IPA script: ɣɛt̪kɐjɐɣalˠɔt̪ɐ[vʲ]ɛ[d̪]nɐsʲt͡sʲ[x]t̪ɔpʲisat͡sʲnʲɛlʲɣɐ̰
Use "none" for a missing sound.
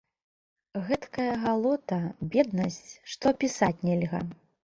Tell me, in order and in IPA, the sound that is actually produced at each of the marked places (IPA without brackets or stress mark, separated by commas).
bʲ, d̪, ʂ